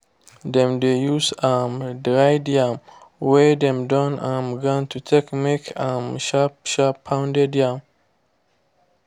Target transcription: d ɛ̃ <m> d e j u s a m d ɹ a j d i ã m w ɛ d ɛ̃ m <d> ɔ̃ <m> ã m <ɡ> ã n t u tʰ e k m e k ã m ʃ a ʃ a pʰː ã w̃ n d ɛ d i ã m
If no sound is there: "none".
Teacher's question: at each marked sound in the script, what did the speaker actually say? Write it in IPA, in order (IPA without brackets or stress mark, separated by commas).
m, d, n, ɡ